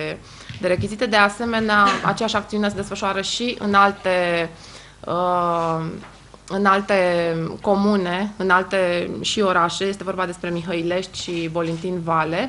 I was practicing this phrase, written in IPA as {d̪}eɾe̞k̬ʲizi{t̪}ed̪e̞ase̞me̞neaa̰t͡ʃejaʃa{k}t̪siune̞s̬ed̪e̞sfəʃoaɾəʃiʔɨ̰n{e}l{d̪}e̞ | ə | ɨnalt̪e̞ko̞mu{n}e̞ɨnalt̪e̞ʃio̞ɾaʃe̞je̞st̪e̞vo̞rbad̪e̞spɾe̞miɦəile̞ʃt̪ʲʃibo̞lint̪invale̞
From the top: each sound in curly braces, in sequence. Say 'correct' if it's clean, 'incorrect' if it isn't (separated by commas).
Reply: correct, correct, correct, incorrect, incorrect, correct